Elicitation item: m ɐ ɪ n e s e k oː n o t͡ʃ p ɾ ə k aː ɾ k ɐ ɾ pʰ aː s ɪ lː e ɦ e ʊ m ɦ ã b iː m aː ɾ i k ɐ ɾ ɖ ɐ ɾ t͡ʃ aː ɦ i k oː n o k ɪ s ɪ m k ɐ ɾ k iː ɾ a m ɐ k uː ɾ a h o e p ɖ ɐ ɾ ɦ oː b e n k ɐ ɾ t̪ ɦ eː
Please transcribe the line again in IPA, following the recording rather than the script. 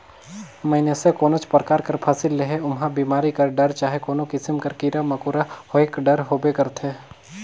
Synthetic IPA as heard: m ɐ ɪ n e s e k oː n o t͡ʃ p ɾ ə k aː ɾ k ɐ ɾ pʰ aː s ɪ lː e ɦ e ʊ m ɦ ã b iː m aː ɾ i k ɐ ɾ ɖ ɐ ɾ t͡ʃ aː ɦ e k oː n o k ɪ s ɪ m k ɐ ɾ k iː ɾ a m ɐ k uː ɾ a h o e k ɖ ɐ ɾ ɦ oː b e k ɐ ɾ t̪ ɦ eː